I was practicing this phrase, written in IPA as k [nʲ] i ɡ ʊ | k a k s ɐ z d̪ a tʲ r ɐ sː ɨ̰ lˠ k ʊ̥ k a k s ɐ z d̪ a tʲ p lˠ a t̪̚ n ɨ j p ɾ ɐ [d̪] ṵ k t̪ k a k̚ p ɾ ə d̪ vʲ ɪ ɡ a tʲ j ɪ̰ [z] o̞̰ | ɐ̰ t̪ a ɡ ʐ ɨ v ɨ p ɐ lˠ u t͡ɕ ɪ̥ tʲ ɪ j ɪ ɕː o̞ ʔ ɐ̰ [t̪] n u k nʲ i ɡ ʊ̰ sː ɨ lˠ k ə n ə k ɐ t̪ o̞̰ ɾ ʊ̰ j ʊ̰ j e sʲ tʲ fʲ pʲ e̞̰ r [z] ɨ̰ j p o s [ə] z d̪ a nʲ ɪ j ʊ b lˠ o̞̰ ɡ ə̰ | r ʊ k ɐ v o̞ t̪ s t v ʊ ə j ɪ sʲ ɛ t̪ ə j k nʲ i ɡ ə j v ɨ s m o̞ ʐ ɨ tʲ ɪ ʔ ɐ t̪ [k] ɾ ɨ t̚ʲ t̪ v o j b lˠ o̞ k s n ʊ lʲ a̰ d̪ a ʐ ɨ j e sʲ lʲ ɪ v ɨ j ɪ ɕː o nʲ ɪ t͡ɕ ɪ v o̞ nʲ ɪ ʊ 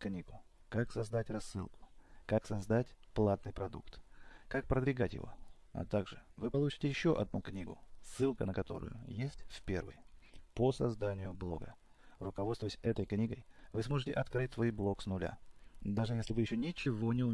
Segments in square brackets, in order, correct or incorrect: correct, correct, incorrect: v, incorrect: d̪, incorrect: v, incorrect: ɐ, correct

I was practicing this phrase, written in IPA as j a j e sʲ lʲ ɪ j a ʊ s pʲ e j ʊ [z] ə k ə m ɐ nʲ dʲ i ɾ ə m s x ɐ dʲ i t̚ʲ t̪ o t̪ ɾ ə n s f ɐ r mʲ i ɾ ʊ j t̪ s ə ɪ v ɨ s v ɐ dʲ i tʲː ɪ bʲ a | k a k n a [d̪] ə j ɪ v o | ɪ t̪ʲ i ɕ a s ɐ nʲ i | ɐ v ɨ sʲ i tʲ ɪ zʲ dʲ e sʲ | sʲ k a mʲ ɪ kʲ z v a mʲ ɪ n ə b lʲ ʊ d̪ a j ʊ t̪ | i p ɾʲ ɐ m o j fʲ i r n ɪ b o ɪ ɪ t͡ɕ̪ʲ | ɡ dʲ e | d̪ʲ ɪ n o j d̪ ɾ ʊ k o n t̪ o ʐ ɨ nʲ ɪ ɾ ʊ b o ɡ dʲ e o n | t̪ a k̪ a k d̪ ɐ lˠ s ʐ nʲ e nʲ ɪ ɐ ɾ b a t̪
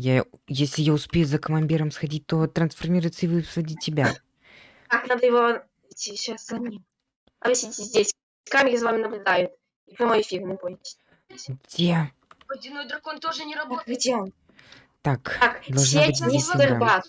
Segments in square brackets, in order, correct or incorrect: correct, correct

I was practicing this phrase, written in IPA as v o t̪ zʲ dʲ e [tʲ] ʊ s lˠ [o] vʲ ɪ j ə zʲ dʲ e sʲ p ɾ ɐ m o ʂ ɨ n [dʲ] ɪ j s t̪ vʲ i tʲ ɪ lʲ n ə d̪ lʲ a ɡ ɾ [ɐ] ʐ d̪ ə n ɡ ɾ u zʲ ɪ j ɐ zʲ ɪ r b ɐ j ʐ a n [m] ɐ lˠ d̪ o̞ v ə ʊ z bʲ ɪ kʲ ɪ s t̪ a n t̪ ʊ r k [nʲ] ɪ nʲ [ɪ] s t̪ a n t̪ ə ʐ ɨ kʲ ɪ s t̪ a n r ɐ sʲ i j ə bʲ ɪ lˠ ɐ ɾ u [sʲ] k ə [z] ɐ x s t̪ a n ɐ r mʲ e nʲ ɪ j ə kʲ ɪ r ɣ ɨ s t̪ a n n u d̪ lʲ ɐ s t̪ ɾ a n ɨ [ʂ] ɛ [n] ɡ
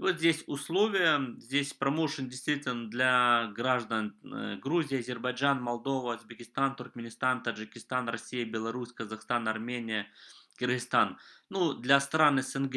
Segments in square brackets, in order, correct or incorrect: incorrect: sʲ, correct, correct, incorrect: a, correct, incorrect: mʲ, correct, correct, correct, incorrect: s, correct

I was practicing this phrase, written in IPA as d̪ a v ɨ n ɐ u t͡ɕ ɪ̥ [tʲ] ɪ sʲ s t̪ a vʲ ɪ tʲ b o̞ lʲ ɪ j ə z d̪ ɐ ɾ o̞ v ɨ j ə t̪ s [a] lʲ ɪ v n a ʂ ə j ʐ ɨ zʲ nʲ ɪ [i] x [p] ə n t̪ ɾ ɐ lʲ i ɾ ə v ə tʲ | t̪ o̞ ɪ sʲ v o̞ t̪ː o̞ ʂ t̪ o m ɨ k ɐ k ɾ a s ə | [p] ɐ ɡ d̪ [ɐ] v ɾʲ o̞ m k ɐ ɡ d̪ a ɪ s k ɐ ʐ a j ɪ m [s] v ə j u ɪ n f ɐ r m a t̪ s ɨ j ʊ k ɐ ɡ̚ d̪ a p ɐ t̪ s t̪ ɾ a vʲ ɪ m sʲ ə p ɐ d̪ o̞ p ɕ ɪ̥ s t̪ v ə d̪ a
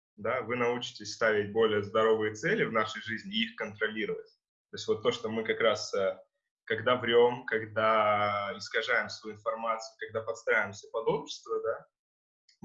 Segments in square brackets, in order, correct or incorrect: correct, incorrect: ɛ, correct, incorrect: k, incorrect: k, incorrect: a, correct

